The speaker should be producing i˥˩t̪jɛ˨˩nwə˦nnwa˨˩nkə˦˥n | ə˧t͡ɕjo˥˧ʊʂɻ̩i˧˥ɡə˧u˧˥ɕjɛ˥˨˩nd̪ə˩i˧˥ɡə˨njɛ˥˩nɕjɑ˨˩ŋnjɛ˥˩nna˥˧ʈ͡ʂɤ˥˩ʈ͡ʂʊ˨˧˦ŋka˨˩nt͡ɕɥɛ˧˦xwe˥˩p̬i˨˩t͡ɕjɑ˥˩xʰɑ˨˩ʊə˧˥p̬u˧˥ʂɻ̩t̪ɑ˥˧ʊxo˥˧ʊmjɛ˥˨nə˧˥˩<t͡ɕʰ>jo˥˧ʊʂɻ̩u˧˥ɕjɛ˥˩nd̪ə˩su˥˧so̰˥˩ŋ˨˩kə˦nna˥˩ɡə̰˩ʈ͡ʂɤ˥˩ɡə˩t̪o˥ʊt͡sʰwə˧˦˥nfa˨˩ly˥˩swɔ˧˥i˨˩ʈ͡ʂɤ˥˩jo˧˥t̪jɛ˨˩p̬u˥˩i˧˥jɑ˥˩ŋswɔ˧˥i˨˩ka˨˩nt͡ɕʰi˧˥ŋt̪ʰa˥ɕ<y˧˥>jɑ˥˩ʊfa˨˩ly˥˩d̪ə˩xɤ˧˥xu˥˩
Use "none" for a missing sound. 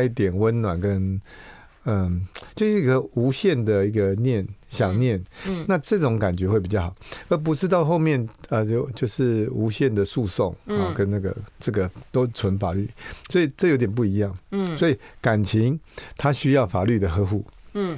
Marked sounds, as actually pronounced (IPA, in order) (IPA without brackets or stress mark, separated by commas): t͡ɕ, y˥